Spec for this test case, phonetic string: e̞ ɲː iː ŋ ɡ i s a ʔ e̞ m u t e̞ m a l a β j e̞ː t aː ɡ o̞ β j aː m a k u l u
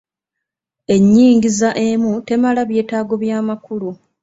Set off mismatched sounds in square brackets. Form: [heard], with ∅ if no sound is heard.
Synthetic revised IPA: e̞ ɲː iː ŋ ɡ i [z] a ʔ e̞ m u t e̞ m a l a β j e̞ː t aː ɡ o̞ β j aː m a k u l u